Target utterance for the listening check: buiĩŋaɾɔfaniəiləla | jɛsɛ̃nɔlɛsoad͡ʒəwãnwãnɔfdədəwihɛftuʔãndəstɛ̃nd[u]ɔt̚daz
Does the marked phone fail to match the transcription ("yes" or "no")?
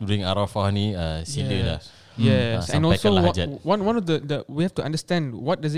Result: yes